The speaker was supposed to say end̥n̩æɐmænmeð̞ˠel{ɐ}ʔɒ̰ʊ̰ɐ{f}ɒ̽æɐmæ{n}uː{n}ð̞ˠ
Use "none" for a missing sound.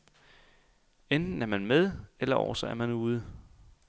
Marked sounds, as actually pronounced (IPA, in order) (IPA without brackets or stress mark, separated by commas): ɐ, s, n, none